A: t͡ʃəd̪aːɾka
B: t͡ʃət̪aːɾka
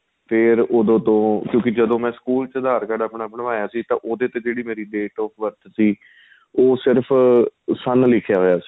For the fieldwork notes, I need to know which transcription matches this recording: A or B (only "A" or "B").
A